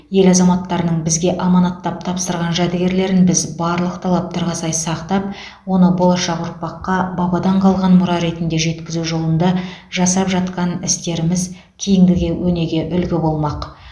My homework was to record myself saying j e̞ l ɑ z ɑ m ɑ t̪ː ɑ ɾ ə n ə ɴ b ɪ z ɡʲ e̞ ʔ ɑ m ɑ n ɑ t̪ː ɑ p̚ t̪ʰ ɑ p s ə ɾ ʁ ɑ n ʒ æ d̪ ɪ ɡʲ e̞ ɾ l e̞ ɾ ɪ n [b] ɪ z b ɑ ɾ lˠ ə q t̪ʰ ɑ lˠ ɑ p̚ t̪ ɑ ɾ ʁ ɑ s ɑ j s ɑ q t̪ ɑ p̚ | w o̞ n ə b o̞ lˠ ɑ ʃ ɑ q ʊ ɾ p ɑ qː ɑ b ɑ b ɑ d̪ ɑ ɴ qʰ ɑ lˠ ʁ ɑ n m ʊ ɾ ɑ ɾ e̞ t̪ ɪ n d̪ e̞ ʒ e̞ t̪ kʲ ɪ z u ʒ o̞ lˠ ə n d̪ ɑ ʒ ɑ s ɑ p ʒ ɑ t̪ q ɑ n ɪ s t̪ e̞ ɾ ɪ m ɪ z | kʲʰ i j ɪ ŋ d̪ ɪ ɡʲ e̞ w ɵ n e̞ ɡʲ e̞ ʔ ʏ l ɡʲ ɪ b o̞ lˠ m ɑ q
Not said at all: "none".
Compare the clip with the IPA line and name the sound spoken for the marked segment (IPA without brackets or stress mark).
b